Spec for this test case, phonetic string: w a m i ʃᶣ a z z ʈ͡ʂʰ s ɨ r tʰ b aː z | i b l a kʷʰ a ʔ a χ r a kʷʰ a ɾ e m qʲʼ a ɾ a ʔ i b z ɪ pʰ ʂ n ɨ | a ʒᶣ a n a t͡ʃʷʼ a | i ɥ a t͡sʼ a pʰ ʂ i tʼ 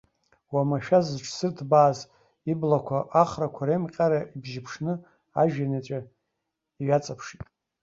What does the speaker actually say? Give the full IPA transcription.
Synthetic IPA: w a m a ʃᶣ a z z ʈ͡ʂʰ s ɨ r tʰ b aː z | i b l a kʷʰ a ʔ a χ r a kʷʰ a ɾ e m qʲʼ a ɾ a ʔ i b ʒ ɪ pʰ ʂ n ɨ | a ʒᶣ a n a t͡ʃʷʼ a | i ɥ a t͡sʼ a pʰ ʂ i tʼ

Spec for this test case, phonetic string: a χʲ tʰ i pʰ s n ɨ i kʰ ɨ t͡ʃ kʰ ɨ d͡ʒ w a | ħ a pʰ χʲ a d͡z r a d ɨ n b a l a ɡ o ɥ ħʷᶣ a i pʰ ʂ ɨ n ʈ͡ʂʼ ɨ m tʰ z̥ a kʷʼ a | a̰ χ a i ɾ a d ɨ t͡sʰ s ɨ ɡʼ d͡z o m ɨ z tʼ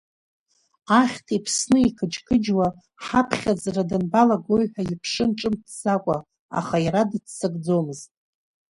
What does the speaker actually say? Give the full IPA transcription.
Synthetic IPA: a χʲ tʰ i pʰ s n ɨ i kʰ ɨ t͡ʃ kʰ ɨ d͡ʒ w a | ħ a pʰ χʲ a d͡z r a d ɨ n b a l a ɡ o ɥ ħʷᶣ a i pʰ ʂ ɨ n ʈ͡ʂʼ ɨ m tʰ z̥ a kʷʼ a | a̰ χ a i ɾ a d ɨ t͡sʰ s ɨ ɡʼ d͡z o m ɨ z tʼ

